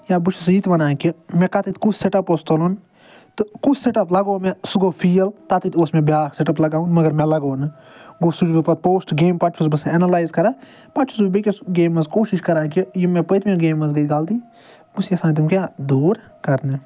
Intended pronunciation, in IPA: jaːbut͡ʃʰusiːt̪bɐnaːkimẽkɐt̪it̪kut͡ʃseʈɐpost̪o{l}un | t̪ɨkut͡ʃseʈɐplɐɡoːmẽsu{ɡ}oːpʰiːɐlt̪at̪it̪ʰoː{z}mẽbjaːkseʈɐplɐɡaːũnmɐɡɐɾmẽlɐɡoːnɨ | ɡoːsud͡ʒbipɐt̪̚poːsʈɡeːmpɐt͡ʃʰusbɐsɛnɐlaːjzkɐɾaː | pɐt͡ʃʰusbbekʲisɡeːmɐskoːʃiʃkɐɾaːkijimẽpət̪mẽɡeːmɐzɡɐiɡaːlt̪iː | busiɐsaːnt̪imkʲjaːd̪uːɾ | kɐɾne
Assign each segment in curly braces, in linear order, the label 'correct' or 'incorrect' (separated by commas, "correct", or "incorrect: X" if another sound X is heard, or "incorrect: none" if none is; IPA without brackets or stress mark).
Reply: correct, correct, incorrect: s